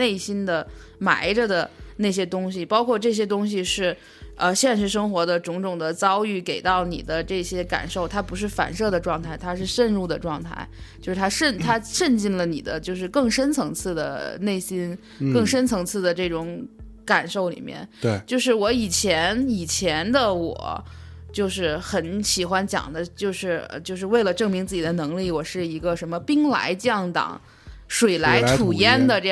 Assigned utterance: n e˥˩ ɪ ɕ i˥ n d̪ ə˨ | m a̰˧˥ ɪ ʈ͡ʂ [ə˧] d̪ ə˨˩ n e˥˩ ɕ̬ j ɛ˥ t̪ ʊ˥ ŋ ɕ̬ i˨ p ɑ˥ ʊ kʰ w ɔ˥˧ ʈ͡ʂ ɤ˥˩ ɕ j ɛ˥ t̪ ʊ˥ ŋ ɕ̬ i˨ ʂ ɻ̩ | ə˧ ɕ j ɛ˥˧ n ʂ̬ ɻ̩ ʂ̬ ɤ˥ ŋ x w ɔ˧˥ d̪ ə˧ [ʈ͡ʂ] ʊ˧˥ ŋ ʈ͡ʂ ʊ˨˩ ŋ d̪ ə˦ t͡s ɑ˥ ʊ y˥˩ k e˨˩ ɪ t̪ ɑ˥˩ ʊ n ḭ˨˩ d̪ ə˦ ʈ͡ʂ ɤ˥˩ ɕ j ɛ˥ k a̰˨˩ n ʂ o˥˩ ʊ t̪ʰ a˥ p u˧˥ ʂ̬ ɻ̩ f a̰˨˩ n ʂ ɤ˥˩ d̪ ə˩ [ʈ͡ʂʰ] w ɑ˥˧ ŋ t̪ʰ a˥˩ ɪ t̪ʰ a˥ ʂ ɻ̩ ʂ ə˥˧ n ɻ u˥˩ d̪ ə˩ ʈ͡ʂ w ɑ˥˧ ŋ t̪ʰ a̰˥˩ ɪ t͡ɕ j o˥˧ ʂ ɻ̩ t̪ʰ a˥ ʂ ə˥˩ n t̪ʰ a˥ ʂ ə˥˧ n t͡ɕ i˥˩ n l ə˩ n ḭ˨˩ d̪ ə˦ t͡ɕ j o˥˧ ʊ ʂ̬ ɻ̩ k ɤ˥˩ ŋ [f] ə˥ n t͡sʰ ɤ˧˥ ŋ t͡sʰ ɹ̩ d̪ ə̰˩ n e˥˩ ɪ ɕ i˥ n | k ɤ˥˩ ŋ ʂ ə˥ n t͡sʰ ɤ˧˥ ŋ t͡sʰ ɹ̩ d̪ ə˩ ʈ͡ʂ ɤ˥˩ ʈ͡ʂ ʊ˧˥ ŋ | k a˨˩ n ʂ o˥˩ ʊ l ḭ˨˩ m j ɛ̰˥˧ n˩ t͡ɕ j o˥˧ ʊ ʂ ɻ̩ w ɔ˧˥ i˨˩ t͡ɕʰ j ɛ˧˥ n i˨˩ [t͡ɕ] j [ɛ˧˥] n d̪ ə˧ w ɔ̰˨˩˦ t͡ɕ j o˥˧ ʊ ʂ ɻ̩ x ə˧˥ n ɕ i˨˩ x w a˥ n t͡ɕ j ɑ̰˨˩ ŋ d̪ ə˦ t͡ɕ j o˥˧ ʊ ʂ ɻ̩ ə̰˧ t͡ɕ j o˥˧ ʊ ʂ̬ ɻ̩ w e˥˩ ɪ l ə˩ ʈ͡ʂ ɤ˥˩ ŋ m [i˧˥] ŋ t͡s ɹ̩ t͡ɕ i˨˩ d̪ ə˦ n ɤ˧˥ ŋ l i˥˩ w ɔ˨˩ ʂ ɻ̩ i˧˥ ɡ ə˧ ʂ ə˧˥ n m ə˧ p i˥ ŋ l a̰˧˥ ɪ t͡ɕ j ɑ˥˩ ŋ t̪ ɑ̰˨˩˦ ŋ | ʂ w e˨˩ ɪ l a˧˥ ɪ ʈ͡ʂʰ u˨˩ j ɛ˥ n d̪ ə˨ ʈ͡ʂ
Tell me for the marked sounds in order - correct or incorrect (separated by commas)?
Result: correct, correct, incorrect, incorrect, incorrect, correct, correct